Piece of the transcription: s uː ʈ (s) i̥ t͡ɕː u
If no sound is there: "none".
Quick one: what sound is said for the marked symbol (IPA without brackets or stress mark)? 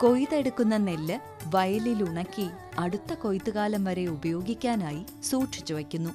ʂ